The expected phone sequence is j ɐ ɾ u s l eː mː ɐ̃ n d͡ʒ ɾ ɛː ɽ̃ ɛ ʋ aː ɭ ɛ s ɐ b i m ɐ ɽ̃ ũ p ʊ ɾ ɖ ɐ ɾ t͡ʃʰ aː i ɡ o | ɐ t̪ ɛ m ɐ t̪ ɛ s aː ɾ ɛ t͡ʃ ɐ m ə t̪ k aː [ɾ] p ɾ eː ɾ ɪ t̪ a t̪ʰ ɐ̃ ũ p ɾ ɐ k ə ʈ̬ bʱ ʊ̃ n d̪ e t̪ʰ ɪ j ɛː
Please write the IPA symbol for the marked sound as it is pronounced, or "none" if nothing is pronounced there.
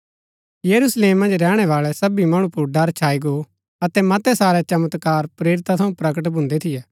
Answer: ɾ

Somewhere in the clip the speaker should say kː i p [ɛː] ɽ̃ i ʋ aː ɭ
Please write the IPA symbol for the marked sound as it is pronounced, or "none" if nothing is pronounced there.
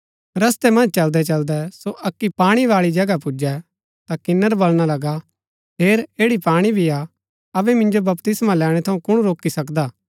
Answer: aː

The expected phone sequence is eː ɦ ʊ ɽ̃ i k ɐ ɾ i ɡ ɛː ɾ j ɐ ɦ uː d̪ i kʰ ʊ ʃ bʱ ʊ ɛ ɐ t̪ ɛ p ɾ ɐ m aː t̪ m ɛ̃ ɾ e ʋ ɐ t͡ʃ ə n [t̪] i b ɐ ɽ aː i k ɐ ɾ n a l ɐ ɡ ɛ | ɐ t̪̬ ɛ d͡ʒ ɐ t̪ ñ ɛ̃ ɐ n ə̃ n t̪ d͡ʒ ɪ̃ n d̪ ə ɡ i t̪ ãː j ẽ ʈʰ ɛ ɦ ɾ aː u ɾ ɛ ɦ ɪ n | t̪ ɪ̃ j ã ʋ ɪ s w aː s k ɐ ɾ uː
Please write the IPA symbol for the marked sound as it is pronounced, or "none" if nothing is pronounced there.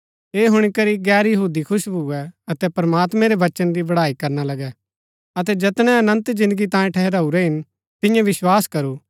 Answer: d̪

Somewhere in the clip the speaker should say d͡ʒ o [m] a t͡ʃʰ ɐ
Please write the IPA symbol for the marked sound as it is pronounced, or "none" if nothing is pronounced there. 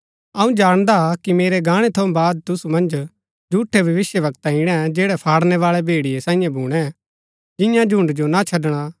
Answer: n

